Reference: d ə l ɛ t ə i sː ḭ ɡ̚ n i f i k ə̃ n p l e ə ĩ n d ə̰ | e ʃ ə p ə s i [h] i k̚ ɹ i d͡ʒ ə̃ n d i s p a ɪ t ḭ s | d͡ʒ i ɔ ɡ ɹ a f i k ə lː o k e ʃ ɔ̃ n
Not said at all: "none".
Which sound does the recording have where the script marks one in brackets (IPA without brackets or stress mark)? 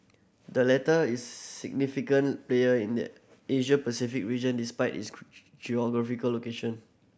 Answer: f